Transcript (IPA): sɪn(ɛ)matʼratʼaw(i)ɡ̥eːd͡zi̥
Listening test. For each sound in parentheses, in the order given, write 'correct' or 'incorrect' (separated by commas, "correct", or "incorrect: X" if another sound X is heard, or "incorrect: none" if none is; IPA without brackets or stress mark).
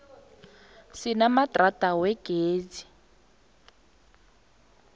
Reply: incorrect: a, incorrect: ɛ